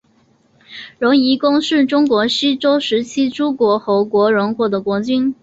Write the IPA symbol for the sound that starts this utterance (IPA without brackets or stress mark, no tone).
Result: ɻ